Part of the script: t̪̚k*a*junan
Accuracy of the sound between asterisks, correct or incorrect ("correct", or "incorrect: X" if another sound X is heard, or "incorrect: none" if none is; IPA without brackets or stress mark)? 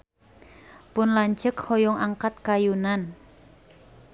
correct